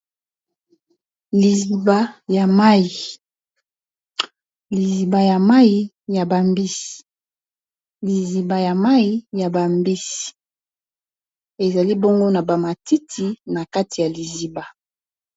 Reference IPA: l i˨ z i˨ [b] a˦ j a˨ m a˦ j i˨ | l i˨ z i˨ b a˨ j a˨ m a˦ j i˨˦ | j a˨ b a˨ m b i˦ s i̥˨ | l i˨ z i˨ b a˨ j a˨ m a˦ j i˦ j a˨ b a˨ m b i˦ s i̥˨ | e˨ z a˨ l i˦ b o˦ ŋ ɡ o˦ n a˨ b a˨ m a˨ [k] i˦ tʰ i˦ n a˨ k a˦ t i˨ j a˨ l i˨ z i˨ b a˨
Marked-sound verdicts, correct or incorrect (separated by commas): correct, incorrect